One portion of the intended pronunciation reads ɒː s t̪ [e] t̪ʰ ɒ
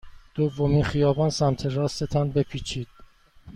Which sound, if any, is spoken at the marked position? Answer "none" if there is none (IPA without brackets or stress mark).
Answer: e